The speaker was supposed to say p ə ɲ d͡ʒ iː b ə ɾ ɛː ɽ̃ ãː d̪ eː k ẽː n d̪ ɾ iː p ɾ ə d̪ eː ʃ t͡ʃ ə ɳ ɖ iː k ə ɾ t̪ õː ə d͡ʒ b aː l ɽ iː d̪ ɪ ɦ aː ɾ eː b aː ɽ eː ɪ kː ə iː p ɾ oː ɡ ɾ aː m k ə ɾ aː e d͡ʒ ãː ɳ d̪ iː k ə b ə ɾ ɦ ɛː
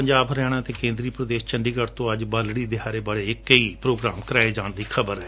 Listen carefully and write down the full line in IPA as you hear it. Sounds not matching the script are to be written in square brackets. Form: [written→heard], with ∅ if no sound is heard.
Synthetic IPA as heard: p ə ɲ d͡ʒ [iː→aː] b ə ɾ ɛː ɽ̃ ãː [d̪→t̪] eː k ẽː n d̪ ɾ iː p ɾ ə d̪ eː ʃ t͡ʃ ə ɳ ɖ iː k ə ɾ t̪ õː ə d͡ʒ b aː l ɽ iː d̪ ɪ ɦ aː ɾ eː b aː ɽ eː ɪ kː ə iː p ɾ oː ɡ ɾ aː m k ə ɾ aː e d͡ʒ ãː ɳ d̪ iː [k→kʰ] ə b ə ɾ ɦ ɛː